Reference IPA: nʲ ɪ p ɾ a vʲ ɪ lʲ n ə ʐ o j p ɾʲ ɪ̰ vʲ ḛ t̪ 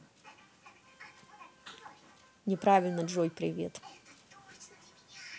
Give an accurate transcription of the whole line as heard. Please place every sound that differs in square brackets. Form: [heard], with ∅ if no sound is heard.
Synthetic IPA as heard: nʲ ɪ p ɾ a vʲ ɪ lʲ n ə ʐ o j p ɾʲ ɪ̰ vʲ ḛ t̪